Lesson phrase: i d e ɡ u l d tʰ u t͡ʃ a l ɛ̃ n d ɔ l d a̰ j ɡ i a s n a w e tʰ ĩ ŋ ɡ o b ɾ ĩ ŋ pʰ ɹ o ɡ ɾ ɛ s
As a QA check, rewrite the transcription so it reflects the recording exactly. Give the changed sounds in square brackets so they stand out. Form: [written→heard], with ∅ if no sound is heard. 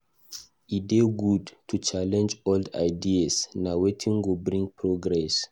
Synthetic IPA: i d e ɡ u [l→∅] d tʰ u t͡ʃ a l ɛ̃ n [d→d͡ʒ] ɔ l d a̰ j [ɡ→d] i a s n a w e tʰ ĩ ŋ ɡ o b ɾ ĩ ŋ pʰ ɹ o ɡ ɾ ɛ s